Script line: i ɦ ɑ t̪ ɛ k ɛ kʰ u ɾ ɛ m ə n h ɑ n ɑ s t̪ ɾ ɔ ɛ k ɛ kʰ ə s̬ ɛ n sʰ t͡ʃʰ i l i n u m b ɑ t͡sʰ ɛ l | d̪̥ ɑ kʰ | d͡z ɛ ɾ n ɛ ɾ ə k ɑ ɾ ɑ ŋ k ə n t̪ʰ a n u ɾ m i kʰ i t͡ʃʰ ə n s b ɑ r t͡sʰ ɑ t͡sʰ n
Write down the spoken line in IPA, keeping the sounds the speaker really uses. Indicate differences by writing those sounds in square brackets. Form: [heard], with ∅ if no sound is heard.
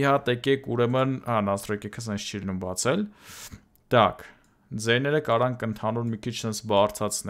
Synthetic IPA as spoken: i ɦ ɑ t̪ ɛ k ɛ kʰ u ɾ ɛ m ə n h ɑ n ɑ s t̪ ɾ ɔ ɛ k ɛ kʰ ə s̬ ɛ n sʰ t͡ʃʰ i l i n u m b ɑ t͡sʰ ɛ l | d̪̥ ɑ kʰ | d͡z ɛ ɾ n ɛ ɾ ə k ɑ ɾ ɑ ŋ k ə n t̪ʰ [ɑ] n u ɾ m i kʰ i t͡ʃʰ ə n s b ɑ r t͡sʰ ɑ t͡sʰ n